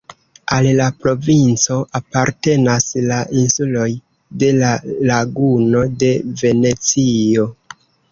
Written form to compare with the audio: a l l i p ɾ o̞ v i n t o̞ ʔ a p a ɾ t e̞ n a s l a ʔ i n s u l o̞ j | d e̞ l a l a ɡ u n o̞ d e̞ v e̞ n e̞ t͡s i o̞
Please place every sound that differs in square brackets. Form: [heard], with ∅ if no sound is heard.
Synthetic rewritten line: a l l [a] p ɾ o̞ v i n [t͡s] o̞ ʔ a p a ɾ t e̞ n a s l a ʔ i n s u l o̞ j | d e̞ l a l a ɡ u n o̞ d e̞ v e̞ n e̞ t͡s i o̞